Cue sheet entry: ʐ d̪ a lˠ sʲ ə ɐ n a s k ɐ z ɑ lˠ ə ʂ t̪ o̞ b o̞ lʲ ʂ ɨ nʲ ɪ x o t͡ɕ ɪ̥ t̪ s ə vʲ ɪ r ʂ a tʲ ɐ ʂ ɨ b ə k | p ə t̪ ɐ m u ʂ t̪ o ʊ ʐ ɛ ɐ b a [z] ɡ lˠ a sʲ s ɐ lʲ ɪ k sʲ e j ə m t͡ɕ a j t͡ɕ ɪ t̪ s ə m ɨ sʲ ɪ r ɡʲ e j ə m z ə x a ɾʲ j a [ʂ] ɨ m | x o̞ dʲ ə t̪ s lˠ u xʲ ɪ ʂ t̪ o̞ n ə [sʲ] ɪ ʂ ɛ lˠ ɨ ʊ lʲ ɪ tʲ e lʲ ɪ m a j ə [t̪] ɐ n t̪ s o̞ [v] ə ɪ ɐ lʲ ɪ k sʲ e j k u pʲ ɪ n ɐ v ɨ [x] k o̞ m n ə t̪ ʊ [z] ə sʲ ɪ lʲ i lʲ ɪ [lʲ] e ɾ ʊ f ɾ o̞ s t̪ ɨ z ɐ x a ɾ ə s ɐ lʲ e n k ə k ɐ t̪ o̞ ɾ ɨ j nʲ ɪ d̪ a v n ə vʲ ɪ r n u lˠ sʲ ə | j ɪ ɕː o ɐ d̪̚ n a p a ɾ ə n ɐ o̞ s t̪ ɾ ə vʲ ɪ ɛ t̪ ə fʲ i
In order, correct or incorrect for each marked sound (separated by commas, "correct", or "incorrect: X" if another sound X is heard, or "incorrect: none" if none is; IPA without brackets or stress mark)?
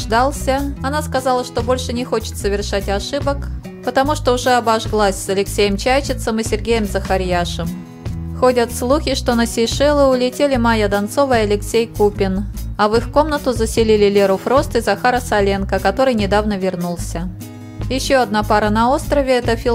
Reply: incorrect: ʐ, correct, correct, incorrect: d̪, correct, correct, correct, correct